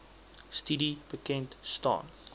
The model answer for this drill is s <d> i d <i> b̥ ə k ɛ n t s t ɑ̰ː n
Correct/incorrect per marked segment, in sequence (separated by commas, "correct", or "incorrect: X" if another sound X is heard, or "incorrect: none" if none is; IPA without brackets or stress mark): incorrect: t, correct